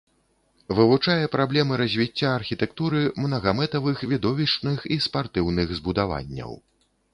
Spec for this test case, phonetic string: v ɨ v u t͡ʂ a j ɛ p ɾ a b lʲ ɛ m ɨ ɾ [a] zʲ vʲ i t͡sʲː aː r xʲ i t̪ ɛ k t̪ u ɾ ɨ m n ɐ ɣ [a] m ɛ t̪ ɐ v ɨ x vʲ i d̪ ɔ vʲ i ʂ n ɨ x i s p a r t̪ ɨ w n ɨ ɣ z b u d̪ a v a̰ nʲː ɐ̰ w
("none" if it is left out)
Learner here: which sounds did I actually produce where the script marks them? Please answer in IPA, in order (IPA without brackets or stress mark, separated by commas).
ɐ, a